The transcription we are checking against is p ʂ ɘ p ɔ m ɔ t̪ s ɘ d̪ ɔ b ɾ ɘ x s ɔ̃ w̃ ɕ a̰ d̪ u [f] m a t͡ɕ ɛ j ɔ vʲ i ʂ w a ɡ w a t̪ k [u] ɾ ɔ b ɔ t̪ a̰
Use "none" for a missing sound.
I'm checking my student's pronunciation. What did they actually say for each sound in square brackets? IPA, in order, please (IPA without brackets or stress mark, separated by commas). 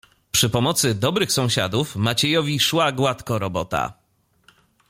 f, ɔ